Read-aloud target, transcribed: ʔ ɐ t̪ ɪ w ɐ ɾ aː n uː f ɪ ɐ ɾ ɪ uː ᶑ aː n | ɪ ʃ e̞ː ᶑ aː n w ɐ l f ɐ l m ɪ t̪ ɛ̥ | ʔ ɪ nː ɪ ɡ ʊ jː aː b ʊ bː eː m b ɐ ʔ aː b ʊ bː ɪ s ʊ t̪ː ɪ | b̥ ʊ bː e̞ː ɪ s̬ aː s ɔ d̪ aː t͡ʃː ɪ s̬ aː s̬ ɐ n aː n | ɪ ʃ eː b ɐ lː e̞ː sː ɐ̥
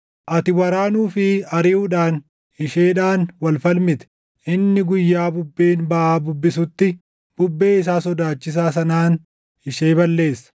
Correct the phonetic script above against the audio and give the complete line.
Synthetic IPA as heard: ʔ ɐ t̪ ɪ w ɐ ɾ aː n uː f ɪ ɐ ɾ ɪ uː ᶑ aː n | ɪ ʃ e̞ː ᶑ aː n w ɐ l f ɐ l m ɪ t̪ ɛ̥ | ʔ ɪ nː ɪ ɡ ʊ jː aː b ʊ bː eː n b ɐ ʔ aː b ʊ bː ɪ s ʊ t̪ː ɪ | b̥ ʊ bː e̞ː ɪ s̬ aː s ɔ d̪ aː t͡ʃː ɪ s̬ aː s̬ ɐ n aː n | ɪ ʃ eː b ɐ lː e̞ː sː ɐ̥